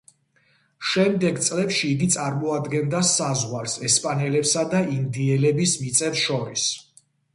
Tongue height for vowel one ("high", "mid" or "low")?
mid